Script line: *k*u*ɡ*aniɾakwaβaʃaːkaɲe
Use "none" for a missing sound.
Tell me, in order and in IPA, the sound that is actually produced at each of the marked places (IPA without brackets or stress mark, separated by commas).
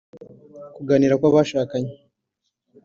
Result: k, ɡ